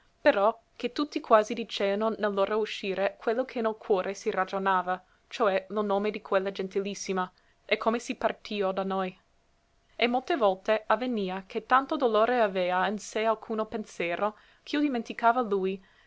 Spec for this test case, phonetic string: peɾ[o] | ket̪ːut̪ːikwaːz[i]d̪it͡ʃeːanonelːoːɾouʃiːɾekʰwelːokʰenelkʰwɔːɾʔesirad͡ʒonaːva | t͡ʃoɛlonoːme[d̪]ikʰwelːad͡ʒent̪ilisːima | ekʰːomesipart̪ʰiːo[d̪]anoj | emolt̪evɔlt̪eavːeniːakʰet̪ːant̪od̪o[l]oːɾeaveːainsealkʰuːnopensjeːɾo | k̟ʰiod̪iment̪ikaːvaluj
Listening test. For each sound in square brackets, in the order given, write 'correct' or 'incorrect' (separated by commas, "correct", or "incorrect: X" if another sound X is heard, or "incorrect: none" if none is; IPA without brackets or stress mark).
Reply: incorrect: ɔ, correct, correct, correct, correct